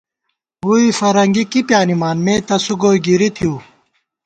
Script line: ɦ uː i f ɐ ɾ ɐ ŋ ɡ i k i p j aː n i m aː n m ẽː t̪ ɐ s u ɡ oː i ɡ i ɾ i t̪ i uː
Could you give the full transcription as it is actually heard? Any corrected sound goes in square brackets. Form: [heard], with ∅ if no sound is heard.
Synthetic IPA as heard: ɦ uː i f ɐ ɾ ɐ ŋ ɡ i k i p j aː n i m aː n m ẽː t̪ ɐ s u ɡ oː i ɡ i ɾ i [t̪ʰ] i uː